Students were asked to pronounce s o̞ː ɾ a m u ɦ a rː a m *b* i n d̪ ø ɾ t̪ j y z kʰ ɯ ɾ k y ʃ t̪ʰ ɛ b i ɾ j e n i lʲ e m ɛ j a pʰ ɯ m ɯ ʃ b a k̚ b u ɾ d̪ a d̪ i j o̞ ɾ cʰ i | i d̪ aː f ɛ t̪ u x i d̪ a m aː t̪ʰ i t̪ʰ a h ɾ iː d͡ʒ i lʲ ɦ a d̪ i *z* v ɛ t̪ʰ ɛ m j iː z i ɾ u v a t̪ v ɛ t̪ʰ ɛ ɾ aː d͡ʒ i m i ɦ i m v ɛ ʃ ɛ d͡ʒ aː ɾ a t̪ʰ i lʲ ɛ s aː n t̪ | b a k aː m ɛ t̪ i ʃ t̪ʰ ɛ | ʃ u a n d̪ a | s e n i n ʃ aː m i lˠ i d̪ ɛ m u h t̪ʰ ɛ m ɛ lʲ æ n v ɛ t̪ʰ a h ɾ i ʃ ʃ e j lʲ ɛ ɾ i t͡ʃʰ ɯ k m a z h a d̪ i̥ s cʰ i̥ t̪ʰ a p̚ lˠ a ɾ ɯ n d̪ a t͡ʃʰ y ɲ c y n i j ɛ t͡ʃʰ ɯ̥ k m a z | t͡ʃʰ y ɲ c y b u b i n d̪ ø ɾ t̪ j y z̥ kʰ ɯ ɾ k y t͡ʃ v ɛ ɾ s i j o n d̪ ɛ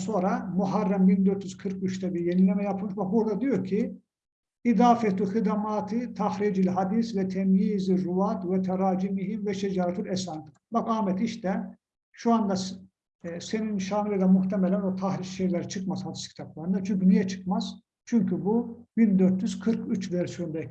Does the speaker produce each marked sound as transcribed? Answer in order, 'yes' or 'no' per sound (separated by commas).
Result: yes, no